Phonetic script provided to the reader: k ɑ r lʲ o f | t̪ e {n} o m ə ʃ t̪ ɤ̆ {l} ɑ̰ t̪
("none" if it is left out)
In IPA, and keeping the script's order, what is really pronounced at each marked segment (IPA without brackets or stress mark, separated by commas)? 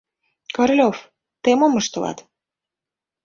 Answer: m, l